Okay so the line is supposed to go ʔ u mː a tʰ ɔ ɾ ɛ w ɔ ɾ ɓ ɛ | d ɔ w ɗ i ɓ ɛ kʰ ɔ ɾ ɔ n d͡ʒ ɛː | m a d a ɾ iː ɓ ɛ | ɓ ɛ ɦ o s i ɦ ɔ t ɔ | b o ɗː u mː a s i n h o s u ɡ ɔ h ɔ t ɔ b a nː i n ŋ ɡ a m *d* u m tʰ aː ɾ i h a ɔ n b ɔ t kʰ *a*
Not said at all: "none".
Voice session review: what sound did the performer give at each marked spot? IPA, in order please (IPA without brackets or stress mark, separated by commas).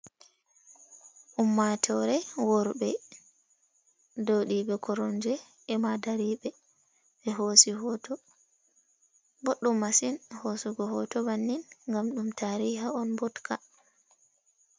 ɗ, a